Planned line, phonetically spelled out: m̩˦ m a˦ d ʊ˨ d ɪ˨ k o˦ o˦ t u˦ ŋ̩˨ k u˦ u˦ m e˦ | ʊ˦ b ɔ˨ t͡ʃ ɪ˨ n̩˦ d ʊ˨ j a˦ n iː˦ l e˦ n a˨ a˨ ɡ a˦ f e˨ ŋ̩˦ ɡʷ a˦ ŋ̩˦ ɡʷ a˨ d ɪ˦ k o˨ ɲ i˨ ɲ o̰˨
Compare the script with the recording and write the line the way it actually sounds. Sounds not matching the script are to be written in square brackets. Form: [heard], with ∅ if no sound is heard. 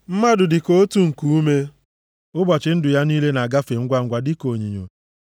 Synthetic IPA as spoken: m̩˦ m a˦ d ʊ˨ d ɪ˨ k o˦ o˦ t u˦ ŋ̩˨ k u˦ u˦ m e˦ | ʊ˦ b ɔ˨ t͡ʃ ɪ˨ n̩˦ d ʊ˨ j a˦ n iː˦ l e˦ n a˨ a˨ ɡ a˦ f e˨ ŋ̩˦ ɡʷ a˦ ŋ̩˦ ɡʷ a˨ d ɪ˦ k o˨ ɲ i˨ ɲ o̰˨